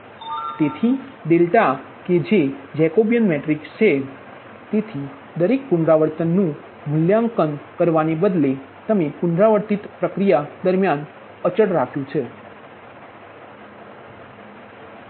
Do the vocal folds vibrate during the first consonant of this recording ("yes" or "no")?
no